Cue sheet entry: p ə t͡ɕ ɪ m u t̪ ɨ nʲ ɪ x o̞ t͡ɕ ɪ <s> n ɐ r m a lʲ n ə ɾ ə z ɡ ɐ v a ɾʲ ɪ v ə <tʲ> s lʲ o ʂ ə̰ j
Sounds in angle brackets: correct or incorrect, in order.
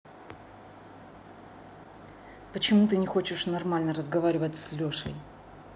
incorrect: ʂ, correct

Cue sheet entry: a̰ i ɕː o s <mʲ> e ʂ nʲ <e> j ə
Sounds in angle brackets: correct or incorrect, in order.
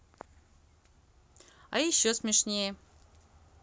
correct, correct

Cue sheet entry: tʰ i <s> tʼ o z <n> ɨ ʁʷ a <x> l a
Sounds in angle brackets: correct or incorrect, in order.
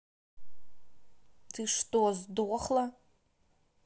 incorrect: ʂ, incorrect: d, incorrect: χ

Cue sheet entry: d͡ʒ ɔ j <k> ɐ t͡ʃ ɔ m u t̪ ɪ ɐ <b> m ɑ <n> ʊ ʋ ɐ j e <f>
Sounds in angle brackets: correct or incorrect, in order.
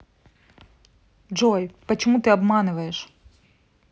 incorrect: p, correct, correct, incorrect: ʃ

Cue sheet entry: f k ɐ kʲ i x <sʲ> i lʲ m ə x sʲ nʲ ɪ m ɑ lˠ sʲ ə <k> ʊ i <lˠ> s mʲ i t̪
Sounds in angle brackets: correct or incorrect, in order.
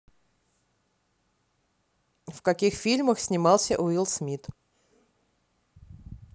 incorrect: fʲ, incorrect: ʔ, correct

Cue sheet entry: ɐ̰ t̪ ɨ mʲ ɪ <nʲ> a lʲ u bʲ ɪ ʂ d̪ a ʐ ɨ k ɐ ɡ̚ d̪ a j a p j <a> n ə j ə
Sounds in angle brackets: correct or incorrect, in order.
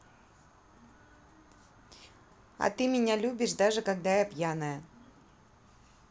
correct, correct

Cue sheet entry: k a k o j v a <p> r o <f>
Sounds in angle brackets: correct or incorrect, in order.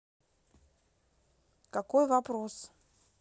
correct, incorrect: s

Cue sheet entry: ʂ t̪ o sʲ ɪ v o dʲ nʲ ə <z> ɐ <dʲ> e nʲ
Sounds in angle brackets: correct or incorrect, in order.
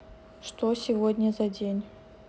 correct, correct

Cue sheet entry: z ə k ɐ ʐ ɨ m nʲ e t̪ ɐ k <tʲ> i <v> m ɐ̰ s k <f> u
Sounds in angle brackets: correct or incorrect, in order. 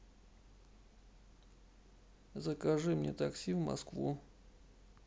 incorrect: sʲ, correct, incorrect: v

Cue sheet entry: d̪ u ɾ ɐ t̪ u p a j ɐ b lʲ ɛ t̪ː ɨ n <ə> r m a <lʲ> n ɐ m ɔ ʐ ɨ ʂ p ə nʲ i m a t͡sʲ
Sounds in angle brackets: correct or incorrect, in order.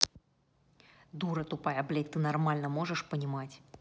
incorrect: a, correct

